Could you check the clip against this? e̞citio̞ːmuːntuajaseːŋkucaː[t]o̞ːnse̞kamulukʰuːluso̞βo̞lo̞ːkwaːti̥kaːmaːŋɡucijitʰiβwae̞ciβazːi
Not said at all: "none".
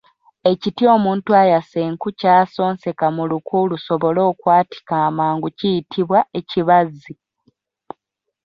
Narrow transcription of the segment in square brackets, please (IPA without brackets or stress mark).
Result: s